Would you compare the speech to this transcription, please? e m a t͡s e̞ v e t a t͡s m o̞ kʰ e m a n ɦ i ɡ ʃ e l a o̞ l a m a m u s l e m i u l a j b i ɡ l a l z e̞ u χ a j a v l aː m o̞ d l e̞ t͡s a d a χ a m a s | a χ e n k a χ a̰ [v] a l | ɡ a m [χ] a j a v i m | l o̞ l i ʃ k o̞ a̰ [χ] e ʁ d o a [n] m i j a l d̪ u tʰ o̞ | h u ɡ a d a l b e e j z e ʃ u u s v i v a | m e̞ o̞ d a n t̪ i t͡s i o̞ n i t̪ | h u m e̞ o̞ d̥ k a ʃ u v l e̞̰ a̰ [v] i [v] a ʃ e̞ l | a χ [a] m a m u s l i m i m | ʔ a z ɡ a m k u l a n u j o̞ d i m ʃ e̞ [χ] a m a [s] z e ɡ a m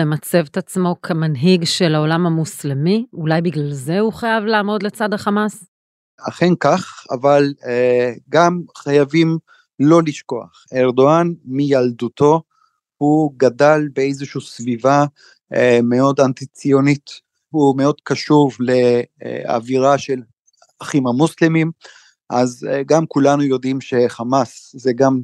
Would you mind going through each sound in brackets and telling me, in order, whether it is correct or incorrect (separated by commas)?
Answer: correct, correct, correct, correct, correct, incorrect, incorrect, correct, correct